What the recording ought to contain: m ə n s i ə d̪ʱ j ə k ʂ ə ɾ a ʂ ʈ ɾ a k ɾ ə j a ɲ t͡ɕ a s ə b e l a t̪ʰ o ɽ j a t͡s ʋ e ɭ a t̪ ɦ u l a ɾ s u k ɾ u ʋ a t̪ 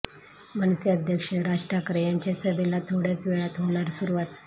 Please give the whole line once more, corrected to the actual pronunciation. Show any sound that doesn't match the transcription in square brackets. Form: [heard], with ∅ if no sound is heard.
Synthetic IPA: m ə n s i ə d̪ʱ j ə k ʂ ə ɾ a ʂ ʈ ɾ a k ɾ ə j a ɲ t͡ɕ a s ə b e l a t̪ʰ o ɽ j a t͡s ʋ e ɭ a t̪ ɦ [o] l a ɾ s u [∅] ɾ u ʋ a t̪